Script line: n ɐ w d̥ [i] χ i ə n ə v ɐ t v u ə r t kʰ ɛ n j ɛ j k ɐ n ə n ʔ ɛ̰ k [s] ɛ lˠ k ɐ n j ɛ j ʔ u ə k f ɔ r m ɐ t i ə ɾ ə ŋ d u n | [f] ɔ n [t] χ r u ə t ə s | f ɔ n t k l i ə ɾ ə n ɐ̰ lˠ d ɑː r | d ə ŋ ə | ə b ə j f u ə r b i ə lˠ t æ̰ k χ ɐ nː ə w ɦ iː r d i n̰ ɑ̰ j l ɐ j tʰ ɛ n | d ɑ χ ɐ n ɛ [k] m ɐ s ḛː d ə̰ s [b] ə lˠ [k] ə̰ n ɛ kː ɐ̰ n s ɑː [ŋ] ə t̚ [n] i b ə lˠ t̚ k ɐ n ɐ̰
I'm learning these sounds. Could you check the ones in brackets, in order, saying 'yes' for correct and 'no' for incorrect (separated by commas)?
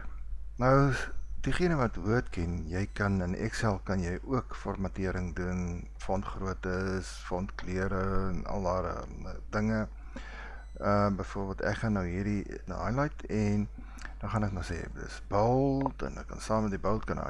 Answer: yes, yes, yes, yes, yes, yes, no, no, no